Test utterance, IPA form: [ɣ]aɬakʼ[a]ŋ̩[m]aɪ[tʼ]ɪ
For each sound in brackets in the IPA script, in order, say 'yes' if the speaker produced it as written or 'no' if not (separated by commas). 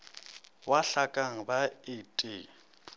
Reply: no, yes, no, yes